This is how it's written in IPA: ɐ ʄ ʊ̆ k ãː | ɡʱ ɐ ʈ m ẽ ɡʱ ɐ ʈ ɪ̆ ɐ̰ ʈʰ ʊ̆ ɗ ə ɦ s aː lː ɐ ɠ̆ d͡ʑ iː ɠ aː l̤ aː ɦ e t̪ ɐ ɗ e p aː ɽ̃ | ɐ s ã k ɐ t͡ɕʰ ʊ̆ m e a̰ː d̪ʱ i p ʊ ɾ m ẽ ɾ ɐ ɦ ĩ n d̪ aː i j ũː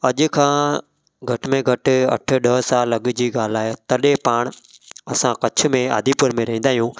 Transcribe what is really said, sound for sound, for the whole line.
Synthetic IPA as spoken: ɐ ʄ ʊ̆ kʰ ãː | ɡʱ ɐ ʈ m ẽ ɡʱ ɐ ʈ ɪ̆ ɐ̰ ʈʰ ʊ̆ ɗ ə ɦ s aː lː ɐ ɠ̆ d͡ʑ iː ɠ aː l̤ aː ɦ e t̪ ɐ ɗ e p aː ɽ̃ | ɐ s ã k ɐ t͡ɕʰ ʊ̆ m ẽ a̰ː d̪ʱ i p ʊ ɾ m ẽ ɾ ɐ ɦ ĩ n d̪ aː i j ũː